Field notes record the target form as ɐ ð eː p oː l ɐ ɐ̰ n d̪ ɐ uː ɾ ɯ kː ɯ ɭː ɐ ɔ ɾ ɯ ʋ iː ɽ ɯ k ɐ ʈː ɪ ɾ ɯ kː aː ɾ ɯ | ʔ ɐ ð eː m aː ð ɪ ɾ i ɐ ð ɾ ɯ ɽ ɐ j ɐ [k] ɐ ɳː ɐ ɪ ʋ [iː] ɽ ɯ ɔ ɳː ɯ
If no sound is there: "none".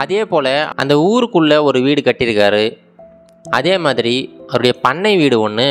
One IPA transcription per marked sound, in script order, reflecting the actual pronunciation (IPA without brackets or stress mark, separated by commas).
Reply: p, iː